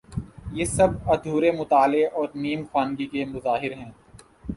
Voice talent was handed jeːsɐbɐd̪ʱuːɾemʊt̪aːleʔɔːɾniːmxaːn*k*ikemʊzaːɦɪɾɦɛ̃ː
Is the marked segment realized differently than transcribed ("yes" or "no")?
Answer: yes